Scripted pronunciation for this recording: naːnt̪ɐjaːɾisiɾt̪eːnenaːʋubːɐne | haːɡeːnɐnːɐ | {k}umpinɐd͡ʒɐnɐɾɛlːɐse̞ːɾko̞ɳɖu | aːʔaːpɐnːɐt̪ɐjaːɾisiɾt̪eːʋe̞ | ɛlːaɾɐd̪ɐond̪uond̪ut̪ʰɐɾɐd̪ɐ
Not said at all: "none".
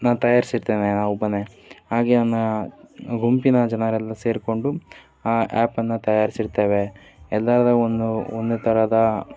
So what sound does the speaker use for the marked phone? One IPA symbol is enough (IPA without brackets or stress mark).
ɡ